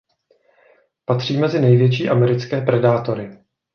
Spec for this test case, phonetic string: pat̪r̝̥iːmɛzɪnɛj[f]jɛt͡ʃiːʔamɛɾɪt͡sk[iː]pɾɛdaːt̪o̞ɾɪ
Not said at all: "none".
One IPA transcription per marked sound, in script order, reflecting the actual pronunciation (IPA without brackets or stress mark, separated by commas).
v, ɛː